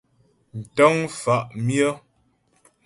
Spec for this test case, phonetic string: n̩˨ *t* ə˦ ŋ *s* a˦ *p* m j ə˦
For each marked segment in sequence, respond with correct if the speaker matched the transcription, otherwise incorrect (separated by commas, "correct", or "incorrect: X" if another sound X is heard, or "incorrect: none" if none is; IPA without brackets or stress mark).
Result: correct, incorrect: f, incorrect: ʔ